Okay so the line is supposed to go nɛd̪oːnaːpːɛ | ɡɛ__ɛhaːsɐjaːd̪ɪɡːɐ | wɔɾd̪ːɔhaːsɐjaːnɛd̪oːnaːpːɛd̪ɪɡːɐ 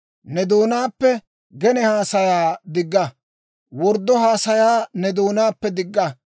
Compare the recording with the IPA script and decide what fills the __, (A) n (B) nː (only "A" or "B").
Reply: A